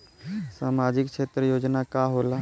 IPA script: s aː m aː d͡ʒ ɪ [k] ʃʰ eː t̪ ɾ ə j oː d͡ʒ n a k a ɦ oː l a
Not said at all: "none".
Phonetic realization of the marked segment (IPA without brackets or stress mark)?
k